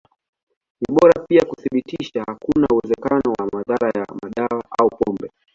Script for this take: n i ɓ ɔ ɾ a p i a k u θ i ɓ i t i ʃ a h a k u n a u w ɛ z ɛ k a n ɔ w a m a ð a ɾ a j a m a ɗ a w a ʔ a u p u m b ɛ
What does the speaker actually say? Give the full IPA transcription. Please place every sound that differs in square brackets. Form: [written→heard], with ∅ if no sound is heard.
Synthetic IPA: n i ɓ ɔ ɾ a p i a k u θ i ɓ i t i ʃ a h a k u n a u w ɛ z ɛ k a n ɔ w a m a ð a ɾ a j a m a ɗ a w a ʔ a u p [u→ɔ] m b ɛ